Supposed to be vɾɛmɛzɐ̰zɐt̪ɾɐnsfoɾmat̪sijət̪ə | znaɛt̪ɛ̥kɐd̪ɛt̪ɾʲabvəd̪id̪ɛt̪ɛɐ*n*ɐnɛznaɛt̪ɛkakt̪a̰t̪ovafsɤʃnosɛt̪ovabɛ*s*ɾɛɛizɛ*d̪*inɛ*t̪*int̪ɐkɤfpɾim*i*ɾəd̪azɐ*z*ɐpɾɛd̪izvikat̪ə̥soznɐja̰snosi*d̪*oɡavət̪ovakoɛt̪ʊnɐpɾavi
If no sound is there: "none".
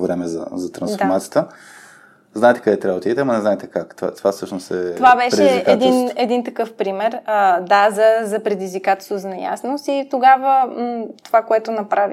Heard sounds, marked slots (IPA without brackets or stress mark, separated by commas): m, ʃ, d̪, d̪, ɛ, z, t̪